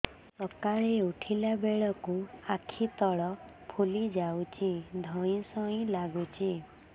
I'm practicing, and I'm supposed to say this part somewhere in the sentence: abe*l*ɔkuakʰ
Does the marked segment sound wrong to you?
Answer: yes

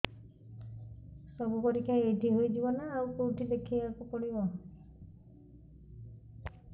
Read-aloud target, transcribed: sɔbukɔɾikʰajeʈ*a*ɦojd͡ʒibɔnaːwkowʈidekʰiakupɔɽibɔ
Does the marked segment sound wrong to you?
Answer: yes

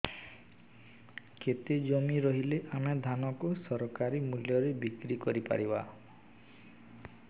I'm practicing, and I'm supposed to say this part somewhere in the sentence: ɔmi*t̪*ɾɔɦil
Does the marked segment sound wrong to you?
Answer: yes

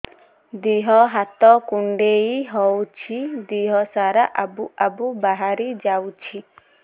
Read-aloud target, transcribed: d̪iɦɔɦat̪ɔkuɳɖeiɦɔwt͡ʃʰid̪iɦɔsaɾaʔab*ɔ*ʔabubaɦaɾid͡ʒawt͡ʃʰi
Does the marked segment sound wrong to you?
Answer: yes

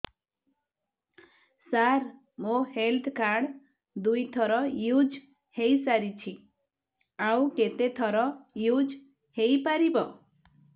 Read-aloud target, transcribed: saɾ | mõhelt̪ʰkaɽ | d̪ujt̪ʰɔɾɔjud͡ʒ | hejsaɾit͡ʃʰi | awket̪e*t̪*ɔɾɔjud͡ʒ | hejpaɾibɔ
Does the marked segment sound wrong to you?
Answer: yes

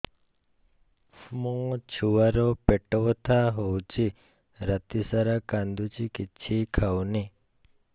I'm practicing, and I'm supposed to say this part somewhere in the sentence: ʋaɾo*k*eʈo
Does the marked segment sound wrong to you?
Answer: yes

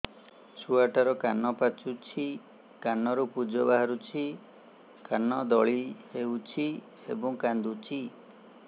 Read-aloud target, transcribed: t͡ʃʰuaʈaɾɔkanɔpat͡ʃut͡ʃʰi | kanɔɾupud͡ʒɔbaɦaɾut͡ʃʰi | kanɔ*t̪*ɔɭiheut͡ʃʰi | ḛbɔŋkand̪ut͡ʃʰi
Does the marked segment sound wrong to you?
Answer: yes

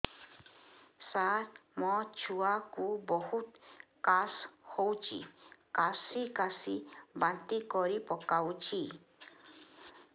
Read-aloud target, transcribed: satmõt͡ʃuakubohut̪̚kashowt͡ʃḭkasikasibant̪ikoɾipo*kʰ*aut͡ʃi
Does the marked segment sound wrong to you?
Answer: yes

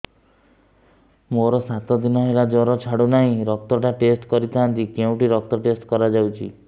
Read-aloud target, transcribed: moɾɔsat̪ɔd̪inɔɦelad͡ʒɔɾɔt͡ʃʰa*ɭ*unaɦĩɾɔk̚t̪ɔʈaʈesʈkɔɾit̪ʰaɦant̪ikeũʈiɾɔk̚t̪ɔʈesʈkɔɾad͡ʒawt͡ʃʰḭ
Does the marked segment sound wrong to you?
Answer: yes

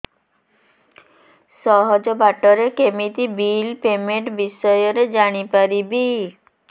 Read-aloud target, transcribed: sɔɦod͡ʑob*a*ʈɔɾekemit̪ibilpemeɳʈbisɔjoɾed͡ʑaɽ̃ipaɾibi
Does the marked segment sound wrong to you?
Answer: no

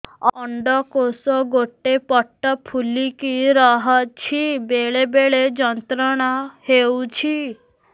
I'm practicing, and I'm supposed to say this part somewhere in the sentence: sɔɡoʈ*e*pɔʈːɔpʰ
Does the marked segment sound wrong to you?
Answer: no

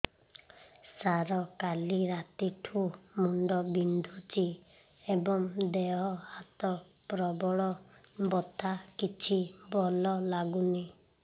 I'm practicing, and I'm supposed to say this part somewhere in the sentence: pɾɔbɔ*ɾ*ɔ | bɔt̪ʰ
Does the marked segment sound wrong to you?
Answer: yes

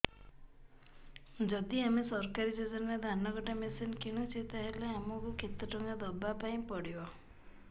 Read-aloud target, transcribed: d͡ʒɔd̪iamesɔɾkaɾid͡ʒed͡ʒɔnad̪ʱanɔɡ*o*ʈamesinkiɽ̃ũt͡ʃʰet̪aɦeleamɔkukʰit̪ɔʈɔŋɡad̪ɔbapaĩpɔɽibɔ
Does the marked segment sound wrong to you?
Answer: yes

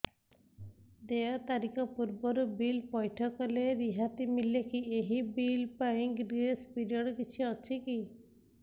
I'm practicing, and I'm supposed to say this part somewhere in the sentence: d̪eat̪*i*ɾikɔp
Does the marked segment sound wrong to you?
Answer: yes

